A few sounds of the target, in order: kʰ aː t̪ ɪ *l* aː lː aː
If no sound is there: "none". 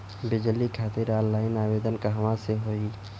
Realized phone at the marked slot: ɾ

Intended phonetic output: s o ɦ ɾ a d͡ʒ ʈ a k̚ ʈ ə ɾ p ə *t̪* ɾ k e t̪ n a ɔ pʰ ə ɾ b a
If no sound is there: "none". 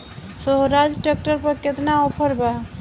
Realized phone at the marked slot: none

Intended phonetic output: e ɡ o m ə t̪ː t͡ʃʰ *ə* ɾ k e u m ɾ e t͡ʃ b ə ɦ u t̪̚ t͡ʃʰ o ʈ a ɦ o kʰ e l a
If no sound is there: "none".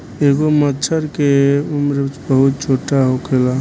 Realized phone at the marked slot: ə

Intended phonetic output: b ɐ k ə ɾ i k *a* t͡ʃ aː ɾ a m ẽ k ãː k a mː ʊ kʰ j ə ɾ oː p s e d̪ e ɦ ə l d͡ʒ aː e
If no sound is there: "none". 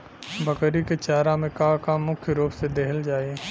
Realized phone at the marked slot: e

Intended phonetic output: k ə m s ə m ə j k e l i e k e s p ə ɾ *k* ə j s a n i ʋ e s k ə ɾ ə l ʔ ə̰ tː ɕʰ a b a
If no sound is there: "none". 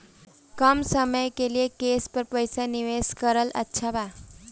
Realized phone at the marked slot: p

